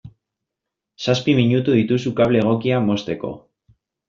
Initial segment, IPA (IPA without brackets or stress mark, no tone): s